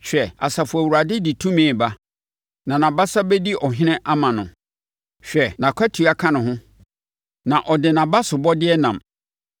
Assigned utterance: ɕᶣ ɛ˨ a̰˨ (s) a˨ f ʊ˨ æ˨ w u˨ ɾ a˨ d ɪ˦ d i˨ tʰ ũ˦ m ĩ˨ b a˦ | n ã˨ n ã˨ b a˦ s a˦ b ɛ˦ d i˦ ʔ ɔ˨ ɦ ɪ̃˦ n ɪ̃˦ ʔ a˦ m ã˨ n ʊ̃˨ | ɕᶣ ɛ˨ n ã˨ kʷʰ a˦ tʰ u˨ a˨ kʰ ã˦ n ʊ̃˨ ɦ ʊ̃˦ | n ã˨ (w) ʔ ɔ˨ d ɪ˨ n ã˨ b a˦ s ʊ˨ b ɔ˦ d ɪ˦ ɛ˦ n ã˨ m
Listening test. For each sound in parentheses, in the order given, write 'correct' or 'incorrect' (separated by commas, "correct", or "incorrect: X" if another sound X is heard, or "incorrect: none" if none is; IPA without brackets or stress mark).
correct, incorrect: none